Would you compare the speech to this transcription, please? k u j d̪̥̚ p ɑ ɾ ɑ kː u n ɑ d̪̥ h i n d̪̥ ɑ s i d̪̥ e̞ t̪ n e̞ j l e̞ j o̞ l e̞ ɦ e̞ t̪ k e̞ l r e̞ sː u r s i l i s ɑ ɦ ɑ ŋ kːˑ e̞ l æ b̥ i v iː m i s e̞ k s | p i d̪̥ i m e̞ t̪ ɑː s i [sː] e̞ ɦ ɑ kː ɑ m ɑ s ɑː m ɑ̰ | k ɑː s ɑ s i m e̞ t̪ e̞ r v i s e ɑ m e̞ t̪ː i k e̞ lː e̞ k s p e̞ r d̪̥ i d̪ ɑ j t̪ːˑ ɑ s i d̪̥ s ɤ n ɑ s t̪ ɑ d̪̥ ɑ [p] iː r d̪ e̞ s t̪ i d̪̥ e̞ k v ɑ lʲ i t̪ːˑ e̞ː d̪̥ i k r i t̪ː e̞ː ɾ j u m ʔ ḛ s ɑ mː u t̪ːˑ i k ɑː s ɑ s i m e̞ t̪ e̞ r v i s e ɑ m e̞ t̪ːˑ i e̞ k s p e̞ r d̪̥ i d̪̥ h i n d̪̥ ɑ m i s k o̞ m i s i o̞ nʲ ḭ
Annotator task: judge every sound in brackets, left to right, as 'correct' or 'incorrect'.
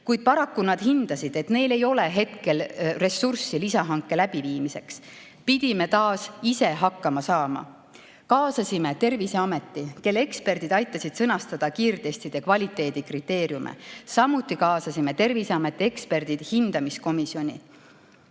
incorrect, incorrect

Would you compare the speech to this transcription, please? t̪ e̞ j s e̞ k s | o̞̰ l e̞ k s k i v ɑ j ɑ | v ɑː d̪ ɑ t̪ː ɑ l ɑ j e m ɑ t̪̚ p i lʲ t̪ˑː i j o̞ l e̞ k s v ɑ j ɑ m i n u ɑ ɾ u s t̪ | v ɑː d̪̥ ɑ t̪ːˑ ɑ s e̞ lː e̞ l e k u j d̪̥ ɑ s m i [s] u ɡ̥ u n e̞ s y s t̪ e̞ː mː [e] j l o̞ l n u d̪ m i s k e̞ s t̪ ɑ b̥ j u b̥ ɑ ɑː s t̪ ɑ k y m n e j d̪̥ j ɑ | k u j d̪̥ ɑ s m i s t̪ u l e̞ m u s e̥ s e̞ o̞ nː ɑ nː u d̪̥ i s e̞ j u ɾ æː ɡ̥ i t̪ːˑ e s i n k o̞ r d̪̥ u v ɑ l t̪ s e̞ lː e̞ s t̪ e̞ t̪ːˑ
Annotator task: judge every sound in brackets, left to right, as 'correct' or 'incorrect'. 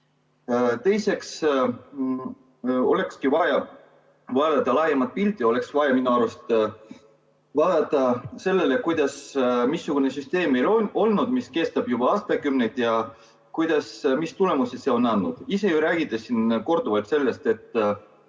incorrect, correct

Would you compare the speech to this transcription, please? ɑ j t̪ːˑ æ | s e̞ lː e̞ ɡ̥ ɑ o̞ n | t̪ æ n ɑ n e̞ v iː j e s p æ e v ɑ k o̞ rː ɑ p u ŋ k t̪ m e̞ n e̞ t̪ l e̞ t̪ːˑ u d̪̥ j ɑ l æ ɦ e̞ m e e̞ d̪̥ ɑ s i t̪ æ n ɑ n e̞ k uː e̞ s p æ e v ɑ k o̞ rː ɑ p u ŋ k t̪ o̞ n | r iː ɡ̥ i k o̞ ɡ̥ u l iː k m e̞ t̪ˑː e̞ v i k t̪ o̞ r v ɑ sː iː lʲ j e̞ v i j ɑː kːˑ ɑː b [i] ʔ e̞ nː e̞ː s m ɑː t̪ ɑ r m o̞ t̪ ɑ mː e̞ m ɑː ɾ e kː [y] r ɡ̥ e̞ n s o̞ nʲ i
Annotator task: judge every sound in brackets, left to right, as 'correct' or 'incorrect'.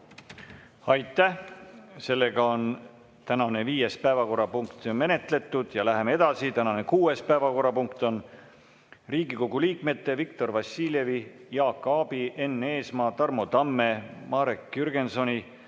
correct, correct

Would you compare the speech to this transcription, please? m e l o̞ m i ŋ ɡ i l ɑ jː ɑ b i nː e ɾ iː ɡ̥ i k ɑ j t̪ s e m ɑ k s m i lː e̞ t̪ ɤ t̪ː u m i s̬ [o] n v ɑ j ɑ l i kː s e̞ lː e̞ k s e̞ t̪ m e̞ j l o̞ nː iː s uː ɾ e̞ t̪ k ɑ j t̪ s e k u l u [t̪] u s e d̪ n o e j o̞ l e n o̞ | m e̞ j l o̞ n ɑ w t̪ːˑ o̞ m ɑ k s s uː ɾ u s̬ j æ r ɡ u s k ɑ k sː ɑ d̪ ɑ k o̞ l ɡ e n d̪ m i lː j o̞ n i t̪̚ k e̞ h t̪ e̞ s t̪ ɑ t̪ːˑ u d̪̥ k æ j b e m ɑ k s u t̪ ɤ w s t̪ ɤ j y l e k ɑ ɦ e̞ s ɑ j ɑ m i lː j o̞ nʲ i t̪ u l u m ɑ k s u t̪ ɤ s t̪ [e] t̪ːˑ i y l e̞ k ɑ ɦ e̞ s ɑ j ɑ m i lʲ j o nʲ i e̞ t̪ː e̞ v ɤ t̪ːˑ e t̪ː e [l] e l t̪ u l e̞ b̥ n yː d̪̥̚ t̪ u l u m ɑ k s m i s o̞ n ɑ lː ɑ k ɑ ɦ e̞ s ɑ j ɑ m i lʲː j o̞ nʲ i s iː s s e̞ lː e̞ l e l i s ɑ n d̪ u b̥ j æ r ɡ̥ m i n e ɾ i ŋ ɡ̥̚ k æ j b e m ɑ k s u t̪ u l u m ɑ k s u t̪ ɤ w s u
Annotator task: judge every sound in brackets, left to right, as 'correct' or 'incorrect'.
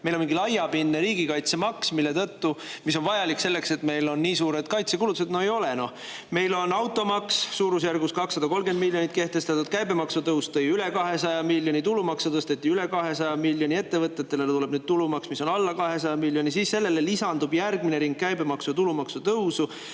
correct, correct, correct, correct

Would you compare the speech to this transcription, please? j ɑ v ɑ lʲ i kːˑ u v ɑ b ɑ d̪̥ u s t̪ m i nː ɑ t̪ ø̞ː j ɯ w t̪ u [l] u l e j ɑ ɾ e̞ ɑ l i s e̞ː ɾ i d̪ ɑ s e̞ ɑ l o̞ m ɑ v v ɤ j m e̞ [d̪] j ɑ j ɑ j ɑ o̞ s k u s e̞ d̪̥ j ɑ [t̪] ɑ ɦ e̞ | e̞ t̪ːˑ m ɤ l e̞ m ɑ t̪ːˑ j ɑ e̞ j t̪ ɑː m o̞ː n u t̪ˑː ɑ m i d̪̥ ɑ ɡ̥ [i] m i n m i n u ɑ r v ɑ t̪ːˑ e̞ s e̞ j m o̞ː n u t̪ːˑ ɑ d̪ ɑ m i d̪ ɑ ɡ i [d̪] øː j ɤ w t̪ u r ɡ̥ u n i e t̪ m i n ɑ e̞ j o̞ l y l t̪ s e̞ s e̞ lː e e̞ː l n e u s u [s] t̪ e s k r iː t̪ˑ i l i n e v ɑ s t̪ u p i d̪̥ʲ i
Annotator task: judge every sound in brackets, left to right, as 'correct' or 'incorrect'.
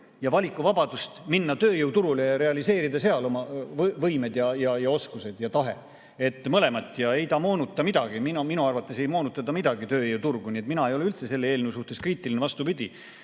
incorrect, correct, correct, correct, incorrect, incorrect

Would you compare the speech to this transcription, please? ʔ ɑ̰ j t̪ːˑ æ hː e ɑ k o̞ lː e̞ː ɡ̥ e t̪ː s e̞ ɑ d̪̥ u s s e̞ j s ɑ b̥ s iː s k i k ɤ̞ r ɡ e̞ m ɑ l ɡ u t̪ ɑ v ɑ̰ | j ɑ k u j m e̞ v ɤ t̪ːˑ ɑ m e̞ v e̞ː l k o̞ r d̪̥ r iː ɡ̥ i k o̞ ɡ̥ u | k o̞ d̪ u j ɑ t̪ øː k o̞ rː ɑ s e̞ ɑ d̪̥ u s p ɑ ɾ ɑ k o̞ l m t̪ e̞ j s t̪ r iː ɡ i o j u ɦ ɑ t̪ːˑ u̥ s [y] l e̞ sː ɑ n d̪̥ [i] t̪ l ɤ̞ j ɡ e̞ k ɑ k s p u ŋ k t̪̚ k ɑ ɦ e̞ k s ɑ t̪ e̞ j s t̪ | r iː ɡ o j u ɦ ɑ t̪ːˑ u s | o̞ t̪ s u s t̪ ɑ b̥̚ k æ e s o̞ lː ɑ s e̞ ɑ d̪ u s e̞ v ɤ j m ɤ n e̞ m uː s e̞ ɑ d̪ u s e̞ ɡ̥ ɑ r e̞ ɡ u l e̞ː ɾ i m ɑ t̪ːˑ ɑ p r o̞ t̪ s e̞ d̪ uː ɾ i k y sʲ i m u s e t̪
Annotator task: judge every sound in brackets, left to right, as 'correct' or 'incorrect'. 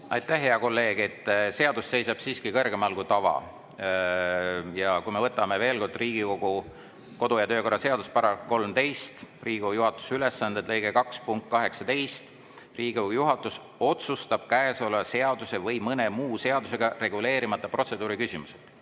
correct, incorrect

